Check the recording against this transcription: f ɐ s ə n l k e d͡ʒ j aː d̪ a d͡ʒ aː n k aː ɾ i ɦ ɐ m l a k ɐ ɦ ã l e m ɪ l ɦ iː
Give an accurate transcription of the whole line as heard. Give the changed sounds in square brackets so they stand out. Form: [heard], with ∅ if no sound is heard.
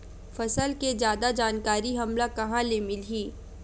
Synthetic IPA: f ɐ s ə [∅] l k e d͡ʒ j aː d̪ a d͡ʒ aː n k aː ɾ i ɦ ɐ m l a k ɐ ɦ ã l e m ɪ l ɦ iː